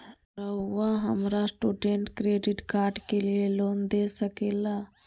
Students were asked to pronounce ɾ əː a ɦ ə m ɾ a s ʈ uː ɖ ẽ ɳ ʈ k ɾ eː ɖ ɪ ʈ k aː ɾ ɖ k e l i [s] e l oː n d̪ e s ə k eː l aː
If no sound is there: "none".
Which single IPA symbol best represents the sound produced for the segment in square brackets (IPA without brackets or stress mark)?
none